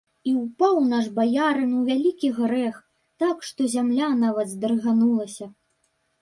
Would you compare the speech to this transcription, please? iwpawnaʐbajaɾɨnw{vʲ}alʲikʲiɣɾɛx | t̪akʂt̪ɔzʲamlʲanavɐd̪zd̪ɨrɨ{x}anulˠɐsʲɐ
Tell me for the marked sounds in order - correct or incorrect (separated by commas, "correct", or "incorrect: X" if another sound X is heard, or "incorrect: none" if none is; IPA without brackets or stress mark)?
correct, incorrect: ɣ